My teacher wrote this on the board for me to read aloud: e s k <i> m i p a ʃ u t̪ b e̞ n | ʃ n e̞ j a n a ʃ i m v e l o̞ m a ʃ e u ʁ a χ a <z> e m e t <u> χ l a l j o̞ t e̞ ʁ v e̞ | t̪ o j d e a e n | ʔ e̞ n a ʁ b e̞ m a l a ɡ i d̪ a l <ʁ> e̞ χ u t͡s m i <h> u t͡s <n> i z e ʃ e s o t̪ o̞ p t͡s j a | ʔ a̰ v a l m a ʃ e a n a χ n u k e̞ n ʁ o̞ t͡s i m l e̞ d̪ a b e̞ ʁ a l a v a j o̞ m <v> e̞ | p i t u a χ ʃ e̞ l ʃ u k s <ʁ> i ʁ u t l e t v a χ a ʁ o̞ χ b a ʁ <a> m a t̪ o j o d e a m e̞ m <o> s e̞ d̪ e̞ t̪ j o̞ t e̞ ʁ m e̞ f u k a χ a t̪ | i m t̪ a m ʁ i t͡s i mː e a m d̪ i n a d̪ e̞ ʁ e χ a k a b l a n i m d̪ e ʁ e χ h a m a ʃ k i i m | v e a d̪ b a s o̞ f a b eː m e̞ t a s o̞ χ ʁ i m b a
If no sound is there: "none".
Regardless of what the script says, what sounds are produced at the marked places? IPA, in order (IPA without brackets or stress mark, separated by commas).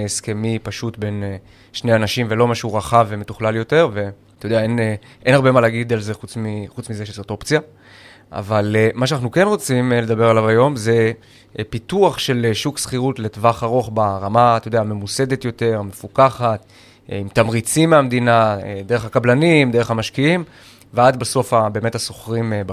e, v, u, z, χ, m, z, χ, a, u